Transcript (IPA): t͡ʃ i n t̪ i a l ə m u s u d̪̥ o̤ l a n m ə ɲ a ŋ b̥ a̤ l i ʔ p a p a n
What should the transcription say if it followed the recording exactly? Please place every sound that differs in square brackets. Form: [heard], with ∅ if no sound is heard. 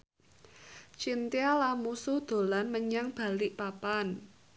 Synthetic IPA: t͡ʃ i n t̪ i a l [a] m u s u d̪̥ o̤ l a n m ə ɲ a ŋ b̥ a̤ l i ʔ p a p a n